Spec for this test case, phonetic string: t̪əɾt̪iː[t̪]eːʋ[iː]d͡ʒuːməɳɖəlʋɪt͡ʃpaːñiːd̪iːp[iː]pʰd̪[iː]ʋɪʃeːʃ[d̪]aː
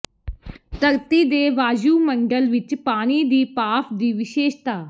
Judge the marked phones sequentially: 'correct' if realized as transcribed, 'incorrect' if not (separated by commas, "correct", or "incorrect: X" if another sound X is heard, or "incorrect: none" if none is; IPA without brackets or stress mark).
incorrect: d̪, incorrect: aː, incorrect: aː, correct, incorrect: t̪